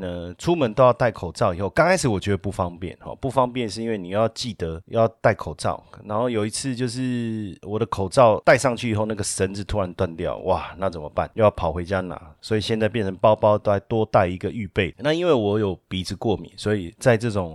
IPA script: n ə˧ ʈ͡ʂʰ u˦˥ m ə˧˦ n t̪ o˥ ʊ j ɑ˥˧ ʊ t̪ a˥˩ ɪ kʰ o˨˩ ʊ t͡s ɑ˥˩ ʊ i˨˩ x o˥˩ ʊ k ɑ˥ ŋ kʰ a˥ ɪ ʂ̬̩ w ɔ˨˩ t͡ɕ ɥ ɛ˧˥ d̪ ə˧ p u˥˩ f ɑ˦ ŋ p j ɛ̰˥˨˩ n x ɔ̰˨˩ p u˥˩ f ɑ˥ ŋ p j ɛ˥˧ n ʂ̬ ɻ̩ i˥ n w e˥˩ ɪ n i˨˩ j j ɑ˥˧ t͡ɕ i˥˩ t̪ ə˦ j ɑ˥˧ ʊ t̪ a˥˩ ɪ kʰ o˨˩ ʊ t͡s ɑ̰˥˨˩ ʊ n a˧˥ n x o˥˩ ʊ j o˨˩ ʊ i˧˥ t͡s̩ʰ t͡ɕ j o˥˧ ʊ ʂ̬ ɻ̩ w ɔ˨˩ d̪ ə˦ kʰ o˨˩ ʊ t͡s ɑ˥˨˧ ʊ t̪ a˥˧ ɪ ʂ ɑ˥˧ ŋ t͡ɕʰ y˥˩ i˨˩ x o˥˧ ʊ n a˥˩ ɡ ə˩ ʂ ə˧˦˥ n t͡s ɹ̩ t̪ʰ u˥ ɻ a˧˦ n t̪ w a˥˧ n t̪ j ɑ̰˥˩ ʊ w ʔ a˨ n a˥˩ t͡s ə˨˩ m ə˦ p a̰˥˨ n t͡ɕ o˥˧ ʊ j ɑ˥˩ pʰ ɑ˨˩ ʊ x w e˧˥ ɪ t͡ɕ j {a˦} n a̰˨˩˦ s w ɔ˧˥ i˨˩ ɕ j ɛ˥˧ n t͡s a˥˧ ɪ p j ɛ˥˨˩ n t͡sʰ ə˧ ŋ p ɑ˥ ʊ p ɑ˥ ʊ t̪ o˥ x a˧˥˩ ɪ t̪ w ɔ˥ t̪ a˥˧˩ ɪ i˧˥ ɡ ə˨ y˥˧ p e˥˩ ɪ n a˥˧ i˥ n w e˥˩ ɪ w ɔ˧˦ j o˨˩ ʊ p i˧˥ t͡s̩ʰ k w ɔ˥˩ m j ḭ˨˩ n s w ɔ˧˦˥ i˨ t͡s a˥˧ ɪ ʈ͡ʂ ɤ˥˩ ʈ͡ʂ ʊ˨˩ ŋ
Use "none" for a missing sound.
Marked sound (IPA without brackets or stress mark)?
a˦